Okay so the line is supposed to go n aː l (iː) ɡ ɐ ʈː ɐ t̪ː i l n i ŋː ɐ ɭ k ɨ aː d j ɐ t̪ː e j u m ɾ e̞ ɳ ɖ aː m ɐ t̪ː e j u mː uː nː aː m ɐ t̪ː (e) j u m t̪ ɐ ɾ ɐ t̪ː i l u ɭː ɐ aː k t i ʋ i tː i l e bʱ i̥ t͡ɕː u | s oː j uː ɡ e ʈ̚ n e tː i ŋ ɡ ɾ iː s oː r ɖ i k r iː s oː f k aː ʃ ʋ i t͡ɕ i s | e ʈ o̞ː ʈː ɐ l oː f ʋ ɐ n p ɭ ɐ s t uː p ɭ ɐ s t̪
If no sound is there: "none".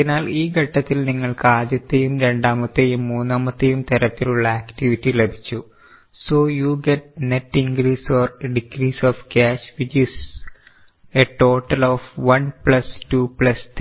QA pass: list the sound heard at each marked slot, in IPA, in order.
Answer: iː, e

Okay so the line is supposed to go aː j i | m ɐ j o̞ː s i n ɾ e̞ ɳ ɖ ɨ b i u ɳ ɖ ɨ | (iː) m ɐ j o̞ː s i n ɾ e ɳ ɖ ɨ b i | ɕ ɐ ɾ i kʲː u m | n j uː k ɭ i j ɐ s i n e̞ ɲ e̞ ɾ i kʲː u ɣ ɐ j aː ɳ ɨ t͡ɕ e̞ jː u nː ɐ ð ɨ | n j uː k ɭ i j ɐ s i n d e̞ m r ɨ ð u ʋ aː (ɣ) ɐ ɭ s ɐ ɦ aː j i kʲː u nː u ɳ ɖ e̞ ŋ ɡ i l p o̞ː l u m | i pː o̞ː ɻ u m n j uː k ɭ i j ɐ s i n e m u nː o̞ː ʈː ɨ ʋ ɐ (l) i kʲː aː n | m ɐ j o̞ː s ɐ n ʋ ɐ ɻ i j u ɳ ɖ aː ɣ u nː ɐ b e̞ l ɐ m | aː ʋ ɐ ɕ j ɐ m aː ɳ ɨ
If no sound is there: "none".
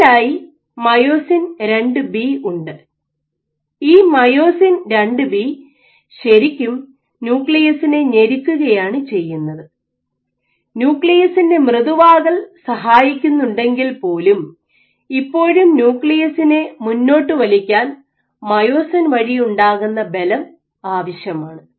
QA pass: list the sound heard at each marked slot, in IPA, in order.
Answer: iː, ɣ, l

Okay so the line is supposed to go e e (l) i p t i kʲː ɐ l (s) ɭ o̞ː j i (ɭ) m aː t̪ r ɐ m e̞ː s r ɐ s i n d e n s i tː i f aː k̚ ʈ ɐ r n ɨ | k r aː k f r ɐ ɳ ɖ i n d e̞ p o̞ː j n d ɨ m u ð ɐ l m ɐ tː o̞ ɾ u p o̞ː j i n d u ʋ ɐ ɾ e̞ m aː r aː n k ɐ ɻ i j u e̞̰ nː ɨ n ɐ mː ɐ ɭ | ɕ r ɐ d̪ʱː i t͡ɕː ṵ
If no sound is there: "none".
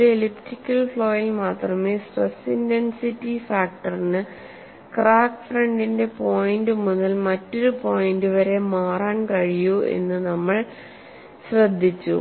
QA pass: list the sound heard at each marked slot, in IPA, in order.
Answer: l, f, l

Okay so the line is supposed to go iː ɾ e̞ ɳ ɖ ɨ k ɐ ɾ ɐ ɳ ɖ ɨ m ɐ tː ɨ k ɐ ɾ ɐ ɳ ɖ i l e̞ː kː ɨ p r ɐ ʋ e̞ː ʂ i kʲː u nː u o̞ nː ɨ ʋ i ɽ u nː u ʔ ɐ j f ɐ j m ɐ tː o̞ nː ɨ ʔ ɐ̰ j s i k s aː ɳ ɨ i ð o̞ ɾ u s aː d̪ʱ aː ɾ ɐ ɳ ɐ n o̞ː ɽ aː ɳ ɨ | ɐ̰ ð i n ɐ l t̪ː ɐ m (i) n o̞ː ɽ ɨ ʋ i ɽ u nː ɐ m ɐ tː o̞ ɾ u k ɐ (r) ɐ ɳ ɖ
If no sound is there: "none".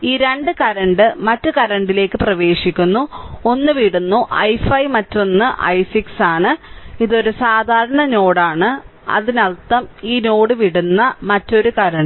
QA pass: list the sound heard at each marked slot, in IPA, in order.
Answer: iː, ɾ

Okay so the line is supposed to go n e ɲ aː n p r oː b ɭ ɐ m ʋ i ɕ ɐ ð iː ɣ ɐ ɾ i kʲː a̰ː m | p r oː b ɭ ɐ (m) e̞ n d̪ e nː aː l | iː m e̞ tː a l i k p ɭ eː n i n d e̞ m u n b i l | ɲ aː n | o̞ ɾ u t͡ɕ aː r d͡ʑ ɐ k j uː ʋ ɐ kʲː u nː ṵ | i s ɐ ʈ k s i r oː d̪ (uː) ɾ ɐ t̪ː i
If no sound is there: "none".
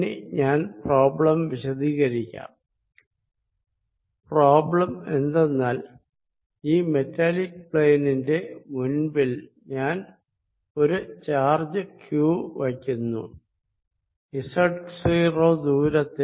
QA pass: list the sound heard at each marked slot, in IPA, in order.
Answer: m, uː

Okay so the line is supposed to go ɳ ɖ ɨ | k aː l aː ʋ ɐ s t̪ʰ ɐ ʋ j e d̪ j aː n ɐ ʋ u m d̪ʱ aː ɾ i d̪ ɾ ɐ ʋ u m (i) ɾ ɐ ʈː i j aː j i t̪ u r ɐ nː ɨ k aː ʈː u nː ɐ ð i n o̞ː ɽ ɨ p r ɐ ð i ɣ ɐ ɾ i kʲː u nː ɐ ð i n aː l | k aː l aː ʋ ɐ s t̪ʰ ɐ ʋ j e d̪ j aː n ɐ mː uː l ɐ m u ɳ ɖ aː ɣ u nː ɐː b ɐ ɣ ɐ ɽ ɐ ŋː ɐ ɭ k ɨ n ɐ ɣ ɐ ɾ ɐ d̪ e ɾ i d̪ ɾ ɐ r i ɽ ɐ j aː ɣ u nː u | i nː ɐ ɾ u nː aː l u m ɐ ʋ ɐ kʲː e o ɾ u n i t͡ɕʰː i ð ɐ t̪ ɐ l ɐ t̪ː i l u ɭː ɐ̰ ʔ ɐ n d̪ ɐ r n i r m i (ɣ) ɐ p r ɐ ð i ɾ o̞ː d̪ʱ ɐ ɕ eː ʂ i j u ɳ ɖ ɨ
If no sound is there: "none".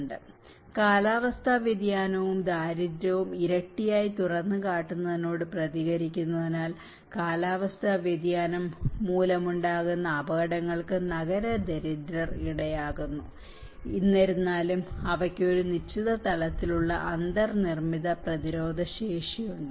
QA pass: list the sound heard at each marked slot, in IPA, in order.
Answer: i, ð

